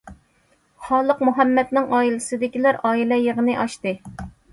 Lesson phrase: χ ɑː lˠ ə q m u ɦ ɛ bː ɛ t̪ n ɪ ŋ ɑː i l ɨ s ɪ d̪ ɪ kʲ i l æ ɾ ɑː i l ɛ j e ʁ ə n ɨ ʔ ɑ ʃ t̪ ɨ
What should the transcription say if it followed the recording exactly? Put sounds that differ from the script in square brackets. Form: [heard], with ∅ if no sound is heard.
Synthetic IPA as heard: χ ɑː lˠ ə q m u ɦ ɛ [mː] ɛ t̪ n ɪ ŋ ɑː i l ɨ s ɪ d̪ ɪ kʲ i l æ ɾ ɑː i l ɛ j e ʁ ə n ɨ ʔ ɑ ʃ t̪ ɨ

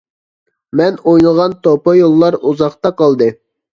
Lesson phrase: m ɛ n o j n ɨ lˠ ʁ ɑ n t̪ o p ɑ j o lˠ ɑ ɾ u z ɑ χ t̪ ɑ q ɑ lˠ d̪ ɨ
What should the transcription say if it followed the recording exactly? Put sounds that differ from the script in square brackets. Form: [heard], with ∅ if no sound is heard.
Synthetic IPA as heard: m ɛ n o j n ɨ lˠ ʁ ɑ n t̪ o p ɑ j o [lˠː] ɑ ɾ u z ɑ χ t̪ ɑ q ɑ lˠ d̪ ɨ

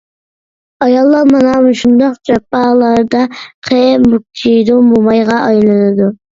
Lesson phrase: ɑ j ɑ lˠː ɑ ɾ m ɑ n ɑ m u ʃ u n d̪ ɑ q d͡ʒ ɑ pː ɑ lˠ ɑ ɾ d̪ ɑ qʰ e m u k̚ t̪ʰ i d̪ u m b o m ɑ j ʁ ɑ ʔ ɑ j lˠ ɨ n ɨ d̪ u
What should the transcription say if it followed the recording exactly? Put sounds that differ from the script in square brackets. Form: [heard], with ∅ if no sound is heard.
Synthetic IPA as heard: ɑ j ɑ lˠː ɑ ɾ m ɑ n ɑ m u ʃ u n d̪ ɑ q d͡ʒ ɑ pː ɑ lˠ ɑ ɾ d̪ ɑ qʰ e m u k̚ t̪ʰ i d̪ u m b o m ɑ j ʁ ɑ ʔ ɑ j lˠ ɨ n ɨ d̪ u

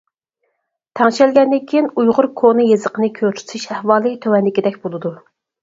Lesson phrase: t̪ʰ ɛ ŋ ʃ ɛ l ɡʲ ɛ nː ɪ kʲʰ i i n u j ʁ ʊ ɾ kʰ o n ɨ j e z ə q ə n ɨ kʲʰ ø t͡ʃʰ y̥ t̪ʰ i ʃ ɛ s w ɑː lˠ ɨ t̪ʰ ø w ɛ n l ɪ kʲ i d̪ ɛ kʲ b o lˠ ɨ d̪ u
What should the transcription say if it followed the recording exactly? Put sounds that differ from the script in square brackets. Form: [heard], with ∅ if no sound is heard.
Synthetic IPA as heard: t̪ʰ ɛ ŋ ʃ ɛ l ɡʲ ɛ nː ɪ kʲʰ i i n u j ʁ ʊ ɾ kʰ o n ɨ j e z ə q ə n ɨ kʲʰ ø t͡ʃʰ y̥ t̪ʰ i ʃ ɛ [h] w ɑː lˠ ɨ t̪ʰ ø w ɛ n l ɪ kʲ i d̪ ɛ kʲ b o lˠ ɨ d̪ u

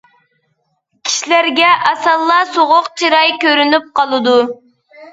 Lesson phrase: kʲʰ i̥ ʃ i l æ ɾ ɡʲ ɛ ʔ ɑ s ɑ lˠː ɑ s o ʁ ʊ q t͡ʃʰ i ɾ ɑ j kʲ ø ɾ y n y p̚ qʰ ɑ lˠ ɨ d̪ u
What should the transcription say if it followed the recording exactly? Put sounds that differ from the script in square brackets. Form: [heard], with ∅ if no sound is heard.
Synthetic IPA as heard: kʲʰ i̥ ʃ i l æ ɾ ɡʲ ɛ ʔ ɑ s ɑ lˠː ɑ s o ʁ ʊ q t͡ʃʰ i ɾ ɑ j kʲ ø ɾ y n y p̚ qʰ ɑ lˠ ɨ d̪ u

